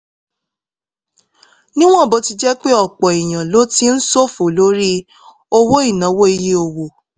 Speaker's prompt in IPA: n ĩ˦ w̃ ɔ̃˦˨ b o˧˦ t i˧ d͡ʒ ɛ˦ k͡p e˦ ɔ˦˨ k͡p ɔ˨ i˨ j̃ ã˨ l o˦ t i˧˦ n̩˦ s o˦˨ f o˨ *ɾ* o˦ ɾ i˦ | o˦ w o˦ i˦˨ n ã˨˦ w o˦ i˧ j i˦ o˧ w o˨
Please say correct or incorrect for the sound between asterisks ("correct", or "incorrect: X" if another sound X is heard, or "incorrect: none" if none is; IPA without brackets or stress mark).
incorrect: l